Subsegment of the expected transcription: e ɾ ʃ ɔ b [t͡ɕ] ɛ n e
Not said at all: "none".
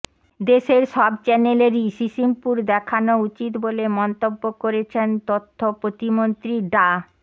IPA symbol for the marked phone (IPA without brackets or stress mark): t͡ɕ